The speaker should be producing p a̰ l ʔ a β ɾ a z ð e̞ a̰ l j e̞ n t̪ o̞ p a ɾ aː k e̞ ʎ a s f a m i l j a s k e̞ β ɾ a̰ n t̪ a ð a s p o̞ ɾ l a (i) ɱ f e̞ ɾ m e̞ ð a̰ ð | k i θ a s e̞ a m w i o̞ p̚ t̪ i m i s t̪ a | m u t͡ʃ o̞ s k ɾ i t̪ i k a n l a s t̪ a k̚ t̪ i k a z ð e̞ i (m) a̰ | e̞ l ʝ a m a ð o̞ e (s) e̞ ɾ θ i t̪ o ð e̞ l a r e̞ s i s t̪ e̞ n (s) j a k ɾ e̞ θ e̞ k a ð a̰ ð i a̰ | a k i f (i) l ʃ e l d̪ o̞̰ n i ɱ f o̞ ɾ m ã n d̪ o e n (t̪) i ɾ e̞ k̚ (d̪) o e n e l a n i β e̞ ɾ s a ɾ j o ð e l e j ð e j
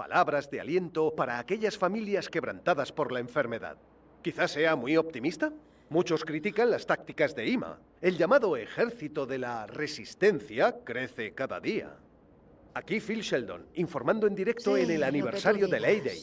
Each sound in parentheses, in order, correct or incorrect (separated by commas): incorrect, correct, incorrect, incorrect, correct, incorrect, incorrect